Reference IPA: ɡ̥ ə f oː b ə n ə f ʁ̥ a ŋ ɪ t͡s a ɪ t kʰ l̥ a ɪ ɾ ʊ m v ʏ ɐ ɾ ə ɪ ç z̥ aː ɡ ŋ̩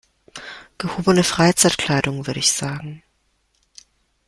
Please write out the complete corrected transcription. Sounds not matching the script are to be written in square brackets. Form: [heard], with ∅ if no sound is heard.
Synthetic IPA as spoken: ɡ̥ ə [h] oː b ə n ə f ʁ̥ a [∅] ɪ t͡s a ɪ t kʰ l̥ a ɪ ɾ ʊ [ŋ] v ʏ ɐ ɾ ə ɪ ç z̥ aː ɡ ŋ̩